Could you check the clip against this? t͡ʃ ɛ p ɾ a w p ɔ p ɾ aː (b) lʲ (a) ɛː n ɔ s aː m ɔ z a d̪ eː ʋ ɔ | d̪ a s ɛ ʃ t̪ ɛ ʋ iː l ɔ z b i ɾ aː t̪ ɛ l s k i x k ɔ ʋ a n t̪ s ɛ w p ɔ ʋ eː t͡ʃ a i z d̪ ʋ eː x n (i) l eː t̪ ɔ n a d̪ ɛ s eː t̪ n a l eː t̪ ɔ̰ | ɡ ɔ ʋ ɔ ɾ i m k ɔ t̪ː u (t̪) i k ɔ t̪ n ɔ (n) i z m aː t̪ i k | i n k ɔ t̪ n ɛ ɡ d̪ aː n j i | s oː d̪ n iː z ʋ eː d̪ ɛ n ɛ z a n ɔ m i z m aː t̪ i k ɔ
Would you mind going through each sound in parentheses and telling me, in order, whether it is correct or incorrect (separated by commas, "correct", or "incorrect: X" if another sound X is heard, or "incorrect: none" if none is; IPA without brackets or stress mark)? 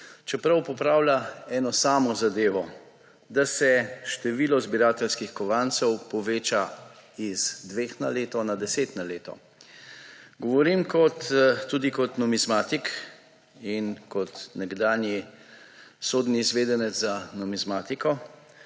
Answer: incorrect: w, correct, incorrect: a, incorrect: d̪, incorrect: m